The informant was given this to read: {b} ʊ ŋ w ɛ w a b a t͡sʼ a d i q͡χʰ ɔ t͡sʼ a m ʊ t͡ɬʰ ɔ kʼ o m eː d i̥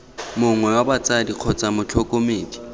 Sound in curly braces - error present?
yes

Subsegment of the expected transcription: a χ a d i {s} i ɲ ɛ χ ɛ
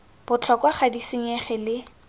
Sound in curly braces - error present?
no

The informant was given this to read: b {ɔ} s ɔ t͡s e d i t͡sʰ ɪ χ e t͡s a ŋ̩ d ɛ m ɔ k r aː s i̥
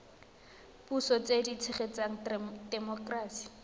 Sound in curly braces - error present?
yes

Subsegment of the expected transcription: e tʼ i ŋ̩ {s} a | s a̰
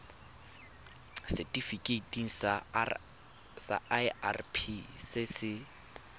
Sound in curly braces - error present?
no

